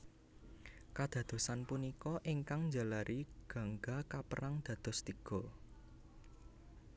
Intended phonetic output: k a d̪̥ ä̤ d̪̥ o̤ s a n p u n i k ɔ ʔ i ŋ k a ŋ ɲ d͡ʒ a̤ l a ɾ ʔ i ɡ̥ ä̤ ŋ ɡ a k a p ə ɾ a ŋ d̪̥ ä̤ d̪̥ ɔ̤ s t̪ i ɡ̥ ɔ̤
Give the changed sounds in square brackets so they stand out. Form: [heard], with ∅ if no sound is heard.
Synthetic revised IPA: k a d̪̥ ä̤ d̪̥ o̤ s a n p u n i k ɔ ʔ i ŋ k a ŋ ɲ d͡ʒ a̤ l a ɾ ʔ i ɡ̥ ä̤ ŋ ɡ a k a p ə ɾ a ŋ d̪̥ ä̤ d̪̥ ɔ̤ s t̪ i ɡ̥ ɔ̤